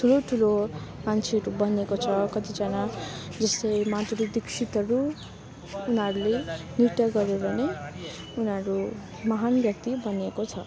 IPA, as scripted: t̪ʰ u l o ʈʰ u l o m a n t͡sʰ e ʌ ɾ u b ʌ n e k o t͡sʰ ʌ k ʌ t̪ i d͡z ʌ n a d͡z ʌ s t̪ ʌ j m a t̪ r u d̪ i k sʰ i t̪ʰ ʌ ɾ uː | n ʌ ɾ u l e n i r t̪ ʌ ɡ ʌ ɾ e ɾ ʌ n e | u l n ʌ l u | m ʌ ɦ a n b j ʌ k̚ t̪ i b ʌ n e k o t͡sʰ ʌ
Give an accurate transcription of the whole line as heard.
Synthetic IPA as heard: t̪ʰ u l o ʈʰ u l o m a n t͡sʰ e ʌ ɾ u b ʌ n e k o t͡sʰ ʌ k ʌ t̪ i d͡z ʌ n a d͡z ʌ s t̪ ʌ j m a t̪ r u d̪ i k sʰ i t̪ ʌ ɾ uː | n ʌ ɾ u l e n i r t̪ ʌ ɡ ʌ ɾ e ɾ ʌ n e | u n ʌ ɾ u | m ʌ ɦ a n b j ʌ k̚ t̪ i b ʌ n e k o t͡sʰ ʌ

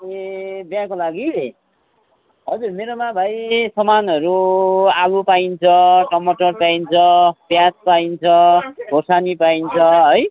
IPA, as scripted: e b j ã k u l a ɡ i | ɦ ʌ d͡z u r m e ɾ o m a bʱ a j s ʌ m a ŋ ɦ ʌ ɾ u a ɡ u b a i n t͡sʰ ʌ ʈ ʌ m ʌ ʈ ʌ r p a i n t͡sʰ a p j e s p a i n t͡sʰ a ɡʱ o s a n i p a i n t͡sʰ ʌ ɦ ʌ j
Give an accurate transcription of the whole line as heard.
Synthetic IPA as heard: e b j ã k o l a ɡ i | ɦ ʌ d͡z u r m e ɾ o m a bʱ a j s ʌ m a n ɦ ʌ ɾ u a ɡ u p a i n t͡sʰ ʌ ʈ ʌ m ʌ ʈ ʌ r p a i n t͡sʰ ʌ p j a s p a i n t͡sʰ ʌ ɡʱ o s a n i p a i n t͡sʰ ʌ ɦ ʌ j

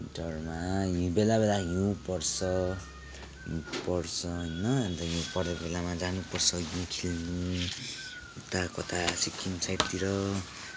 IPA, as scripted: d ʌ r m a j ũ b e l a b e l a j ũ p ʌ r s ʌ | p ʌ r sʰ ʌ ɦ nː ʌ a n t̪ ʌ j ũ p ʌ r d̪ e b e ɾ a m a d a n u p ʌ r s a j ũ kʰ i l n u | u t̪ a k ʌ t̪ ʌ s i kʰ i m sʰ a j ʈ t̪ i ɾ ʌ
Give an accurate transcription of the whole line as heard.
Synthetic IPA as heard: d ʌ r m a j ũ b e l a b e l a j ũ p ʌ r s ʌ | p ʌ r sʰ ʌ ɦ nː ʌ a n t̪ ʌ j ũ p ʌ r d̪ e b e l a m a d͡z a n u p ʌ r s ʌ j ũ kʰ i l n u | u t̪ a k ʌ t̪ a s i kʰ i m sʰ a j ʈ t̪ i ɾ ʌ

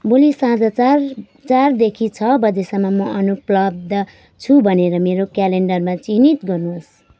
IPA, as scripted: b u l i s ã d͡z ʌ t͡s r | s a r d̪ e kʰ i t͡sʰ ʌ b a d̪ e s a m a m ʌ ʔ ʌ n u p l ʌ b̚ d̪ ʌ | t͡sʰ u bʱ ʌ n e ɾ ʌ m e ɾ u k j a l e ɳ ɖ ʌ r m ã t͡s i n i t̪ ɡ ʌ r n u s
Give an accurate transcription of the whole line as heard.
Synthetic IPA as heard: b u l i s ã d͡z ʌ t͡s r | t͡s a r d̪ e kʰ i t͡sʰ ʌ b ʌ d̪ e s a m a m ʌ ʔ ʌ n u p l ʌ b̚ d̪ ʌ | t͡sʰ u bʱ ʌ n e ɾ ʌ m e ɾ o k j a l e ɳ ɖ ʌ r m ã t͡s i n i t̪ ɡ ʌ r n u s

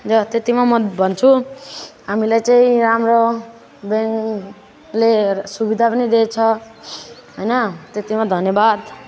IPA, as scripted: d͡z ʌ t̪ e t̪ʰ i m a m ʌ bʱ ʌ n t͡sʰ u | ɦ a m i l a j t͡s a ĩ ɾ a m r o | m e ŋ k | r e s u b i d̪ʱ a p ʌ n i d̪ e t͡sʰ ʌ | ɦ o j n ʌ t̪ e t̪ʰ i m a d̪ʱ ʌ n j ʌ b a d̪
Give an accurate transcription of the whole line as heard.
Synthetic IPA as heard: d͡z ʌ t̪ e t̪ i m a m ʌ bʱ ʌ n t͡sʰ u | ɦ a m i l a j t͡s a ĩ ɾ a m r o | b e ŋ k | l e s u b i d̪ʱ a p ʌ n i d̪ e t͡sʰ ʌ | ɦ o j n ʌ t̪ e t̪ i m a d̪ʱ ʌ n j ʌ b a d̪

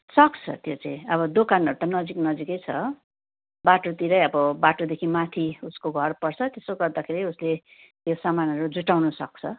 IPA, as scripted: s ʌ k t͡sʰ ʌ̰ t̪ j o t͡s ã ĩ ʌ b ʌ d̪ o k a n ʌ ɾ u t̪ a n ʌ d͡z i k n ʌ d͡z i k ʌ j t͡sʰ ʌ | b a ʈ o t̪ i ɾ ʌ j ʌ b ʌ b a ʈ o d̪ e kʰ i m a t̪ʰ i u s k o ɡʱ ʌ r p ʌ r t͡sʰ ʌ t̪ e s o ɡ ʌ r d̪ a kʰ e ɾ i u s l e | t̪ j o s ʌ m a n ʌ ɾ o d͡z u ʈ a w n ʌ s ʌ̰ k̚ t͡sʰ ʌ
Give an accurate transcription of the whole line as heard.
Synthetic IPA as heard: s ʌ k t͡sʰ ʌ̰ t̪ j o t͡s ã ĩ ʌ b ʌ d̪ o k a n ʌ ɾ u t̪ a n ʌ d͡z i k n ʌ d͡z i k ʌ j t͡sʰ ʌ | b a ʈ o t̪ i ɾ ʌ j ʌ b ʌ b a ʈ o d̪ e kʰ i m a t̪ʰ i u s k o ɡʱ ʌ r p ʌ r t͡sʰ ʌ t̪ e s o ɡ ʌ r d̪ a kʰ e ɾ i u s l e | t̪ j o s a m a n ʌ ɾ u d͡z u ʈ a w n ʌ s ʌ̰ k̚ t͡sʰ ʌ

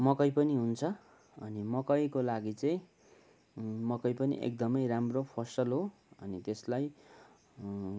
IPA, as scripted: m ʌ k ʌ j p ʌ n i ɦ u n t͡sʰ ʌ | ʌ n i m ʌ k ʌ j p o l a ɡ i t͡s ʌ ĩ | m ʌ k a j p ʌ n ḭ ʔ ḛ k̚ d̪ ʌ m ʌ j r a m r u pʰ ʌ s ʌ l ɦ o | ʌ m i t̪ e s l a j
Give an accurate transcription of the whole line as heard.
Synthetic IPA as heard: m ʌ k ʌ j p ʌ n i ɦ u n t͡sʰ ʌ | ʌ n i m ʌ k ʌ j k o l a ɡ i t͡s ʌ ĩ | m ʌ k ʌ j p ʌ n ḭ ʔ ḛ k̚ d̪ ʌ m ʌ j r a m r o pʰ ʌ s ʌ l ɦ o | ʌ n i t̪ e s l a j

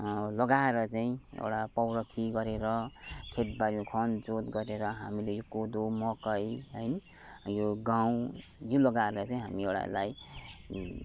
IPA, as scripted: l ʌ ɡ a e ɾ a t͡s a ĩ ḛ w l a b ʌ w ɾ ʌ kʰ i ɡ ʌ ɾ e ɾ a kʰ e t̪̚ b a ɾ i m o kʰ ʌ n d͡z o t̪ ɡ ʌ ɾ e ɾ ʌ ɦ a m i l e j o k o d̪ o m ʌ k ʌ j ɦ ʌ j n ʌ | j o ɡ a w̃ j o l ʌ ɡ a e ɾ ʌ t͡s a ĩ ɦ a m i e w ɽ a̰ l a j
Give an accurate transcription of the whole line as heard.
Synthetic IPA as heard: l ʌ ɡ a e ɾ ʌ t͡s a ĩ ḛ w ɽ a p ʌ w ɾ ʌ kʰ i ɡ ʌ ɾ e ɾ ʌ kʰ e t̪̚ b a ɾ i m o kʰ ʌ n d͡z o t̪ ɡ ʌ ɾ e ɾ ʌ ɦ a m i l e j o k o d̪ o m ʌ k ʌ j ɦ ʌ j n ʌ | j o ɡ a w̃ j o l ʌ ɡ a e ɾ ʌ t͡s a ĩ ɦ a m i e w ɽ a̰ l a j

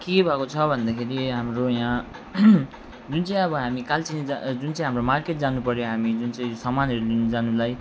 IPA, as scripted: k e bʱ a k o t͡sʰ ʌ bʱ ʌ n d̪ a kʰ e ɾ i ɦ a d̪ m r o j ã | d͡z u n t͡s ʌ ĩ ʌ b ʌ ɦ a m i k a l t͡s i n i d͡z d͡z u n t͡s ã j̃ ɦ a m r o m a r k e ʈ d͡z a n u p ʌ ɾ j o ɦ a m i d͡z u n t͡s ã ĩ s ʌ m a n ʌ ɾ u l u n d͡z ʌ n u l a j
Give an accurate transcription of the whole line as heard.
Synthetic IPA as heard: k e bʱ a k o t͡sʰ ʌ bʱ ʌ n d̪ a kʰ e ɾ i ɦ a m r o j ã | d͡z u n t͡s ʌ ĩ ʌ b ʌ ɦ a m i k a l t͡s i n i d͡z d͡z u n t͡s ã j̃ ɦ a m r o m a r k e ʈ d͡z a n u p ʌ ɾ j o ɦ a m i d͡z u n t͡s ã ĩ s ʌ m a n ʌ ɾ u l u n d͡z a n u l a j

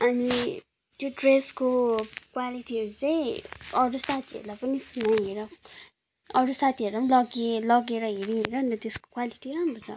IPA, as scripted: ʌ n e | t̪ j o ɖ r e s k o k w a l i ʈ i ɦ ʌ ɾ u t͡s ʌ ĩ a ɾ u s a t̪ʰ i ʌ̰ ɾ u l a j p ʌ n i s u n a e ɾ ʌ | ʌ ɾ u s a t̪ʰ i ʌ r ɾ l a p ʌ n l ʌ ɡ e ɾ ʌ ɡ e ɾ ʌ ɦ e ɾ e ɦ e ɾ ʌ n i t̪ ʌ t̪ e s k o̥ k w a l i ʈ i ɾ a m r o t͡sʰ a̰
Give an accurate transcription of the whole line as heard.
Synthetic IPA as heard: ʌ n i | t̪ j o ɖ r e s k o k w a l i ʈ i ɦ ʌ ɾ u t͡s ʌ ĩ ʌ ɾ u s a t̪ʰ i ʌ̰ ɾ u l a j p ʌ n i s u n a e ɾ ʌ | ʌ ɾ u s a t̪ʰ i ʌ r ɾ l a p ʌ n l ʌ ɡ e l ʌ ɡ e ɾ ʌ ɦ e ɾ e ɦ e ɾ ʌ n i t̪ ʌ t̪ e s k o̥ k w a l i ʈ i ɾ a m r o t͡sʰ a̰

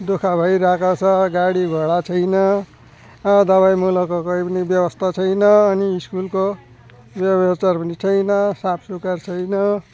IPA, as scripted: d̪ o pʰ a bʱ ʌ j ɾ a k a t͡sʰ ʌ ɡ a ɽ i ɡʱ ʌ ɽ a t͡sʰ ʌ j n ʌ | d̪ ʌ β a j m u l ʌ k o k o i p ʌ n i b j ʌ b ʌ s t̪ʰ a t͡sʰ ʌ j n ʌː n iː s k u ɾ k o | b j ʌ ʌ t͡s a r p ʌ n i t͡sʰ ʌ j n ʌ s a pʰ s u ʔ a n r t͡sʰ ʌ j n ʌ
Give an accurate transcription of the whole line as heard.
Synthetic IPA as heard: d̪ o kʰ a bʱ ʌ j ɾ a k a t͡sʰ ʌ ɡ a ɽ i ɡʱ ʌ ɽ a t͡sʰ ʌ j n ʌ | d̪ ʌ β a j m u l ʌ k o k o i p ʌ n i b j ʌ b ʌ s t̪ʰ a t͡sʰ ʌ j n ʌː n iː s k u l k o | b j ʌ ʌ t͡s a r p ʌ n i t͡sʰ ʌ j n ʌ s a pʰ s u k a r t͡sʰ ʌ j n ʌ

